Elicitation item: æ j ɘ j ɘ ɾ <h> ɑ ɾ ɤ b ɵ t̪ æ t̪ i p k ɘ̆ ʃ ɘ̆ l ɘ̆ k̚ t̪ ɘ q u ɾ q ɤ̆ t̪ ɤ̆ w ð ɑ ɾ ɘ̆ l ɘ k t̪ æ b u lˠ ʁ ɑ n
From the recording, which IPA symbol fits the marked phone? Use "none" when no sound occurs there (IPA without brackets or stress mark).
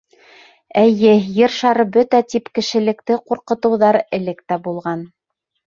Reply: ʃ